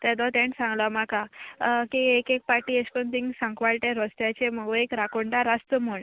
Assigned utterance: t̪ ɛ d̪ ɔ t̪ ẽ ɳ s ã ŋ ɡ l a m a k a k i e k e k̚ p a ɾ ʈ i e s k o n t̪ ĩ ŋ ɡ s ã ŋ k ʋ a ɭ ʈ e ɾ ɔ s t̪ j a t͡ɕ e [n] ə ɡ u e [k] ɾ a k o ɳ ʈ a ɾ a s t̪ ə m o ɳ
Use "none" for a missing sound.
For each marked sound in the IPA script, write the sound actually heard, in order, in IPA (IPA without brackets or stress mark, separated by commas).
m, k